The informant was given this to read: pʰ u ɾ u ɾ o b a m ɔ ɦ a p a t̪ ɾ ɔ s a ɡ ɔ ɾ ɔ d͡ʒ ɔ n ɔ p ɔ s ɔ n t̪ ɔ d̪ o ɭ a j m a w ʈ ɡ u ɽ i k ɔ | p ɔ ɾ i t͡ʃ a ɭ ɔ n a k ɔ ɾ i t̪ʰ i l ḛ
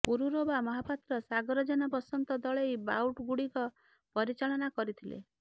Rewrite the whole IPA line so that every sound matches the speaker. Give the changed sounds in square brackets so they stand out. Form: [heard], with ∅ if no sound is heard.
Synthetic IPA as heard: [p] u ɾ u ɾ o b a m ɔ ɦ a p a t̪ ɾ ɔ s a ɡ ɔ ɾ ɔ d͡ʒ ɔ n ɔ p ɔ s ɔ n t̪ ɔ d̪ [ɔ] ɭ [e] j [b] a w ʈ ɡ u ɽ i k ɔ | p ɔ ɾ i t͡ʃ a ɭ ɔ n a k ɔ ɾ i t̪ʰ i l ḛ